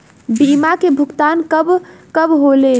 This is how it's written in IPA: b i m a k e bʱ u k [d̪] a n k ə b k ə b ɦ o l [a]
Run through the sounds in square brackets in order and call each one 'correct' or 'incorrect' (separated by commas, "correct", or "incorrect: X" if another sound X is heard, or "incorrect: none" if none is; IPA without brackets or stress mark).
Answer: incorrect: t̪, incorrect: e